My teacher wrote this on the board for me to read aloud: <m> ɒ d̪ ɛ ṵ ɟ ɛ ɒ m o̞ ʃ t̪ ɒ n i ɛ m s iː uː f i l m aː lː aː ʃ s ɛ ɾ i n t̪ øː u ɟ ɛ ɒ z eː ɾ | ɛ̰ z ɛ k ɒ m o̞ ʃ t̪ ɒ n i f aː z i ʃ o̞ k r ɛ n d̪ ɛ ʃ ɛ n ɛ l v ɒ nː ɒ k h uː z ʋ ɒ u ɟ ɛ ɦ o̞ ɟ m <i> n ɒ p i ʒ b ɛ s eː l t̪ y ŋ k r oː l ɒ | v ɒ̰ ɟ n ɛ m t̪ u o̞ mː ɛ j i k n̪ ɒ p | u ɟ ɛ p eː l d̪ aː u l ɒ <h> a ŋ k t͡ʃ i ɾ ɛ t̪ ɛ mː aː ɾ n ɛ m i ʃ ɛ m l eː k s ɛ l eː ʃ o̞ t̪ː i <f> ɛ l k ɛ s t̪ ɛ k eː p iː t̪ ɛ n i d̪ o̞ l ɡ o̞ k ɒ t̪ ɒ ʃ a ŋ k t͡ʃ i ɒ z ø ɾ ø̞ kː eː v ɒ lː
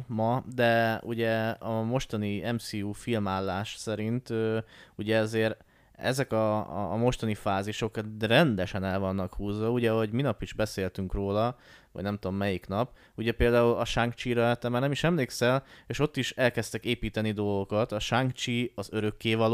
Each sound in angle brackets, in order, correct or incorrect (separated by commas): correct, correct, incorrect, incorrect